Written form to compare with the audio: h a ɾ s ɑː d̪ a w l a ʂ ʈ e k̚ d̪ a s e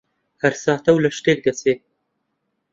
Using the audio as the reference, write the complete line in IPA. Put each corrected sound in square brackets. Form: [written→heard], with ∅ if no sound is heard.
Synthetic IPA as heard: h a ɾ s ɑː [d̪→t̪] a w l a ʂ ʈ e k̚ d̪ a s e